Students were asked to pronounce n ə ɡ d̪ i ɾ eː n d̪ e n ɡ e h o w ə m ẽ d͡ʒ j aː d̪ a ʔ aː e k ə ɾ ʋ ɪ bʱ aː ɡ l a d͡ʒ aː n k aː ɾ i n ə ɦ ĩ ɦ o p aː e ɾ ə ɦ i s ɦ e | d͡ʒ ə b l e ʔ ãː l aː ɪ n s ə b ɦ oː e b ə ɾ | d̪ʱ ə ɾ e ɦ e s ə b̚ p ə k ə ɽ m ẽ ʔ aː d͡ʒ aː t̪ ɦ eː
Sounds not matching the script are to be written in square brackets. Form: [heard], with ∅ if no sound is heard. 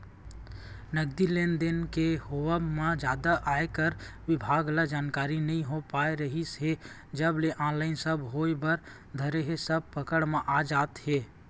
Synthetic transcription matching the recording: n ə ɡ d̪ i [l] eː n d̪ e n [k] e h o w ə m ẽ d͡ʒ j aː d̪ a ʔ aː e k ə ɾ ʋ ɪ bʱ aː ɡ l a d͡ʒ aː n k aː ɾ i n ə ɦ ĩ ɦ o p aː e ɾ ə ɦ i s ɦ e | d͡ʒ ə b l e ʔ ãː l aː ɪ n s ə b ɦ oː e b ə ɾ | d̪ʱ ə ɾ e ɦ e s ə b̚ p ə k ə ɽ m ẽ ʔ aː d͡ʒ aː t̪ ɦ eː